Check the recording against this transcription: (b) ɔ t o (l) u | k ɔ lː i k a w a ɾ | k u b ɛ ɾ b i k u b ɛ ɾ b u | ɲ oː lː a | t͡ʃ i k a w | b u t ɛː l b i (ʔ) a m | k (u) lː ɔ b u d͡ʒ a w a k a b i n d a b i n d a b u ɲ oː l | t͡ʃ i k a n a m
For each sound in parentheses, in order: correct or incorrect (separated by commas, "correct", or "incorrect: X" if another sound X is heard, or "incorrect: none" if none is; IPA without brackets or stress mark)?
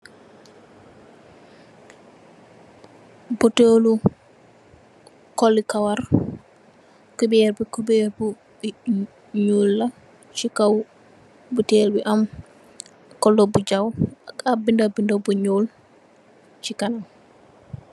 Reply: correct, correct, correct, incorrect: ɔ